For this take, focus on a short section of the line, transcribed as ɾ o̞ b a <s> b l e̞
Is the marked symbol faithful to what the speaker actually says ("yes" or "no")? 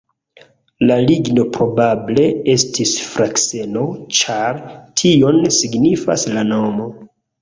no